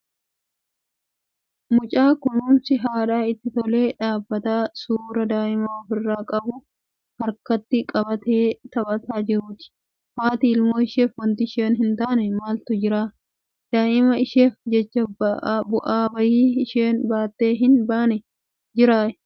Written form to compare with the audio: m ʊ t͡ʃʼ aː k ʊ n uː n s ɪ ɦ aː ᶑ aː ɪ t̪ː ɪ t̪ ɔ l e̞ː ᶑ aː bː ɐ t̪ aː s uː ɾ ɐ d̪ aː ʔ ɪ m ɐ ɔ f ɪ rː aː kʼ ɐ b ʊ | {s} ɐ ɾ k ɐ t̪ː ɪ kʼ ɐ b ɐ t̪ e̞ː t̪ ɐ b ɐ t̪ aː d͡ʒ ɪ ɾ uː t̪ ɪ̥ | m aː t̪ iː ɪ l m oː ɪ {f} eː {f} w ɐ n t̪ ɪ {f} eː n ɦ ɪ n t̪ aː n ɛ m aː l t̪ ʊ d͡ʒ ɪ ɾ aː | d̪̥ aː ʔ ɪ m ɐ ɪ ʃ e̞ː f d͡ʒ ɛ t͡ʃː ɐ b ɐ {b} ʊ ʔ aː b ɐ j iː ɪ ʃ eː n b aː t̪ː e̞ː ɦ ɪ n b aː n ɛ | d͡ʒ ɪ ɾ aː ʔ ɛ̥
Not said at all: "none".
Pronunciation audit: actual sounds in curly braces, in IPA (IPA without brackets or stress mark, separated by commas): h, ʃ, f, ʃ, b